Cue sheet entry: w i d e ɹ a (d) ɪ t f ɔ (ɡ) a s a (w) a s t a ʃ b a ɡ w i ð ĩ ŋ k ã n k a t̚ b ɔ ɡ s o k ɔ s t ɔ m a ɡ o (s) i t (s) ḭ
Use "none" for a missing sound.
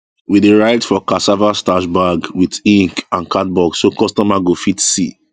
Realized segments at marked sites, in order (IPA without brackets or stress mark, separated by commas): none, k, v, f, s